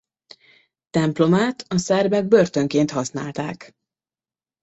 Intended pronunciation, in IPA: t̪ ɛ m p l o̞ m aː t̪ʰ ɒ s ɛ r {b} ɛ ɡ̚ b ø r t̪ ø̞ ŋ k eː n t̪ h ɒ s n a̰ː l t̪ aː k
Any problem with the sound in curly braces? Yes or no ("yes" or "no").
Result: no